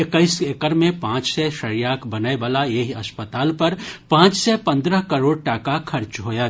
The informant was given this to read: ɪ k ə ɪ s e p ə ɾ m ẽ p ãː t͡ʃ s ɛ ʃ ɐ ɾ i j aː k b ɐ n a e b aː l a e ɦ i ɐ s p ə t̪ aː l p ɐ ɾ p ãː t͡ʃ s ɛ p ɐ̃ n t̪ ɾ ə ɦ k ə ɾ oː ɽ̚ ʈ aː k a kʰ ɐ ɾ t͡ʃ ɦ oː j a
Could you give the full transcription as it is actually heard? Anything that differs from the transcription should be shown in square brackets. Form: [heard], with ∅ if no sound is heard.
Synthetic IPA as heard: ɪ k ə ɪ s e [k] ə ɾ m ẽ p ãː t͡ʃ s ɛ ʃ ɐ ɾ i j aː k b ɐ n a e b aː l a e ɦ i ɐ s p ə t̪ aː l p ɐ ɾ p ãː t͡ʃ s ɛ p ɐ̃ n [d̪] ɾ ə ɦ k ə ɾ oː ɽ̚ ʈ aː k a kʰ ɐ ɾ t͡ʃ ɦ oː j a